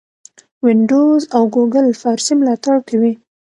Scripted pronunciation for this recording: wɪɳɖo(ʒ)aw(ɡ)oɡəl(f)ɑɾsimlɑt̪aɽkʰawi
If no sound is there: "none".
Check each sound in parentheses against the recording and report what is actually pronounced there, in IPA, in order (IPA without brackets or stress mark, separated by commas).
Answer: z, ɡ, f